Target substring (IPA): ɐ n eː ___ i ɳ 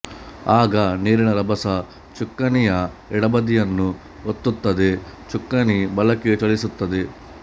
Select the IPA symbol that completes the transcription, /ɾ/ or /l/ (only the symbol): ɾ